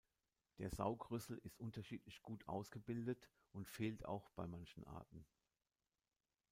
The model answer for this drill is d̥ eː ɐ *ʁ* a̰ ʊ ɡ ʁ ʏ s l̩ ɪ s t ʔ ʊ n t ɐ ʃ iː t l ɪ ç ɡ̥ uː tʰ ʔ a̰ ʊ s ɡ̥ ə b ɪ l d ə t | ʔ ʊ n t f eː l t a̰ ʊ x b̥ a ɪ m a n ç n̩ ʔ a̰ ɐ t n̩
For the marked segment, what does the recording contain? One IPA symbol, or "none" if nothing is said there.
z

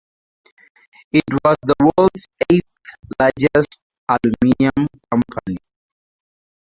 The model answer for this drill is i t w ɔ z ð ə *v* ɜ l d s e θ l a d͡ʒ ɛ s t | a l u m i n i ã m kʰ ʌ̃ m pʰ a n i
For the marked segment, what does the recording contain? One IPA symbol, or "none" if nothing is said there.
w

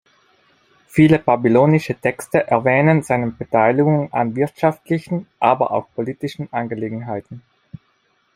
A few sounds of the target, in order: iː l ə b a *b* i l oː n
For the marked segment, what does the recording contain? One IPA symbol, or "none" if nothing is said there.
b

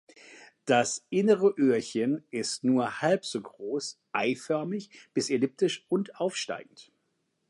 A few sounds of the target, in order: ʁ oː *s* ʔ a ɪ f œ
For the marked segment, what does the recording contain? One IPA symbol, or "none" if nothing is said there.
s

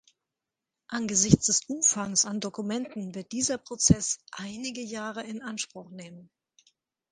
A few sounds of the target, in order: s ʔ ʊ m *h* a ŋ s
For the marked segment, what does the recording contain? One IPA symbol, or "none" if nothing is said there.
f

